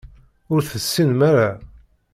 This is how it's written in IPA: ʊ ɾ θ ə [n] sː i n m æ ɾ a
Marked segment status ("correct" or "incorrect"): incorrect